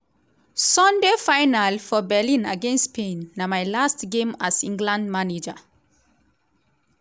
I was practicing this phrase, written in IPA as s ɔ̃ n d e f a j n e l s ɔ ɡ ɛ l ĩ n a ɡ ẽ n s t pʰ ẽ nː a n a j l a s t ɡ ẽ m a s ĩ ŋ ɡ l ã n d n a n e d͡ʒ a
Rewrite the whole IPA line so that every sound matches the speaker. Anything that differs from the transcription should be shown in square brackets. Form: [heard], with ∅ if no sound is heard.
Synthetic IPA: s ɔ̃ n d e f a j n [a] l [f] ɔ [b] ɛ l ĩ n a ɡ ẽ n s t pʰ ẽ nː a [m] a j l a s t ɡ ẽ m a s ĩ ŋ ɡ l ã n d [m] a n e d͡ʒ a